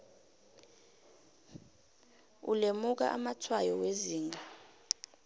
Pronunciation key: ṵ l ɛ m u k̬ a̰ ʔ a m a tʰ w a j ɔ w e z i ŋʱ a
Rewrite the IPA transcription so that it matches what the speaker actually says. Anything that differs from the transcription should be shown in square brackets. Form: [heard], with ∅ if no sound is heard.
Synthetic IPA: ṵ l [e] m u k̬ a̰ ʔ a m a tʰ w a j ɔ w e z [iː] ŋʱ a